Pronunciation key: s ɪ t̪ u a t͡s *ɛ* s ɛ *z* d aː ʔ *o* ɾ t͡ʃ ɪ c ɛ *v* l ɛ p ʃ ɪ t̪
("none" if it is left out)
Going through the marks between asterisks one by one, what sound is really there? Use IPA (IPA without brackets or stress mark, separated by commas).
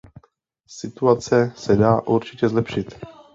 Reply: ɛ, none, u, z